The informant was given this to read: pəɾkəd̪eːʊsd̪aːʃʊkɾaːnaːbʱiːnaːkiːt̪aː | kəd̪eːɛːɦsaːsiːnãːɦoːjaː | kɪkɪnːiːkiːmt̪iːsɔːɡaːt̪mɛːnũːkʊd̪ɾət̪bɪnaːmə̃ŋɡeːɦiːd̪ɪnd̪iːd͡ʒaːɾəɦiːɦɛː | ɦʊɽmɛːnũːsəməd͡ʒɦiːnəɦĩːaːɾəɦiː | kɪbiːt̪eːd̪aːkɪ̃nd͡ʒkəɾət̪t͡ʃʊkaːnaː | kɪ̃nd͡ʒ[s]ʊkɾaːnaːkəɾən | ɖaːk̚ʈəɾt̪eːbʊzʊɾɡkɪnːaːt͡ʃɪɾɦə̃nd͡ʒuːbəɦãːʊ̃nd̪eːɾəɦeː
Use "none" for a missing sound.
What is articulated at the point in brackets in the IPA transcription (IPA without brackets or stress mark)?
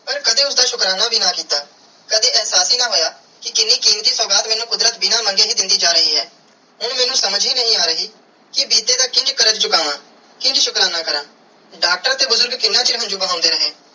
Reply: ʃ